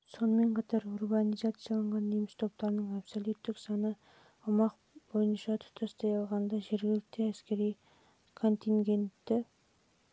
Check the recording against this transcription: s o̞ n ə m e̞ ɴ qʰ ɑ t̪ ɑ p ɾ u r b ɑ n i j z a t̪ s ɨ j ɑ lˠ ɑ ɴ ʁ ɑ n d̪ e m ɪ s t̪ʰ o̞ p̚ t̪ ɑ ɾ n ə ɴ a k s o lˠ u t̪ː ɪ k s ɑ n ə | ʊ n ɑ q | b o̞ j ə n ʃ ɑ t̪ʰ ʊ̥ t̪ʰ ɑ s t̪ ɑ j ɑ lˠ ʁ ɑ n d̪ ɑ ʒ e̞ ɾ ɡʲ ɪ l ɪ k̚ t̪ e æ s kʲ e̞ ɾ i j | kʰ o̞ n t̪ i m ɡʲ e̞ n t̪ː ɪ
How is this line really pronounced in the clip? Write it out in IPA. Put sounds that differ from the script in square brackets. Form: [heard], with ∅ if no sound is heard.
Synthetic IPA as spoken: s o̞ n ə m e̞ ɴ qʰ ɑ t̪ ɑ [∅] ɾ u r b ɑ n i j z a t̪ s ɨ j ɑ lˠ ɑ ɴ ʁ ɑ n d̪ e m ɪ s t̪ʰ o̞ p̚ t̪ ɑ ɾ n ə ɴ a [p] s o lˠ u t̪ː ɪ k s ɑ n ə | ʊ [m] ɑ q | b o̞ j ə n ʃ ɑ t̪ʰ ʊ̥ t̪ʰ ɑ s t̪ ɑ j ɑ lˠ ʁ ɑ n d̪ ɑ ʒ e̞ ɾ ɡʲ ɪ l ɪ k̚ t̪ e æ s kʲ e̞ ɾ i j | kʰ o̞ n t̪ i [ŋ] ɡʲ e̞ n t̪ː ɪ